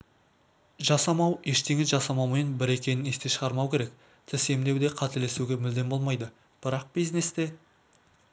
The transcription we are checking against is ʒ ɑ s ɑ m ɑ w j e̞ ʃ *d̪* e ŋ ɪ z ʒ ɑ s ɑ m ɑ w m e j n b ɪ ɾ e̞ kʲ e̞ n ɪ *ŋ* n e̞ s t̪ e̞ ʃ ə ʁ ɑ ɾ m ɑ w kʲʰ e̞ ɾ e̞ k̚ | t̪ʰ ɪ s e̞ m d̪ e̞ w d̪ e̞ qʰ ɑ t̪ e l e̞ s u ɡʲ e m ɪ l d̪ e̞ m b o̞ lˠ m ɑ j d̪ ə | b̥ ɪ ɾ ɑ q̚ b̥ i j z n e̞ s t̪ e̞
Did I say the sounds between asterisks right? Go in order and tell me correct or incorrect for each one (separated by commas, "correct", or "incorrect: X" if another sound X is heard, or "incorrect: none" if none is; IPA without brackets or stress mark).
incorrect: t̪, incorrect: none